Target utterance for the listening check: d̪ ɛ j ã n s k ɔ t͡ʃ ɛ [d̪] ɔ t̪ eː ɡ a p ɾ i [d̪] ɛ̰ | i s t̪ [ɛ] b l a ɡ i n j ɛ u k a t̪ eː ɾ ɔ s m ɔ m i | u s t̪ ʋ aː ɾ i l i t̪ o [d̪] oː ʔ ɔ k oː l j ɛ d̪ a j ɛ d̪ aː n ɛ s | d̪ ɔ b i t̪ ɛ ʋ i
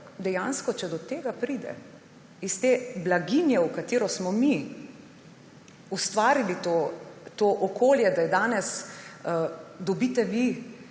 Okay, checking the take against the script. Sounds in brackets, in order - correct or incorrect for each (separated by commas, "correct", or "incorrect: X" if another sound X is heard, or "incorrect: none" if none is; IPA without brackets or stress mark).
correct, correct, incorrect: e, incorrect: t̪